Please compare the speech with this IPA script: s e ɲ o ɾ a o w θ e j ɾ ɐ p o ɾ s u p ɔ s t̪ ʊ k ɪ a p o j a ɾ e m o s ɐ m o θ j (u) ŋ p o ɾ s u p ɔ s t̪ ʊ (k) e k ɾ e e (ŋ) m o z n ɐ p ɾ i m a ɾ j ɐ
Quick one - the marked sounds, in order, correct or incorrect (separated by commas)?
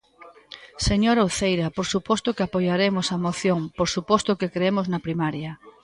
incorrect, correct, incorrect